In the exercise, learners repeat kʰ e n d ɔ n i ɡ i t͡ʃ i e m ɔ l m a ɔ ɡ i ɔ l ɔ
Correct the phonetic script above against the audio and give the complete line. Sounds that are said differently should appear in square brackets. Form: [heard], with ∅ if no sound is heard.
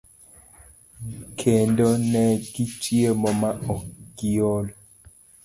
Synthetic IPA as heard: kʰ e n d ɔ n [ɛ] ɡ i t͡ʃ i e m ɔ [∅] m a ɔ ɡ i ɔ l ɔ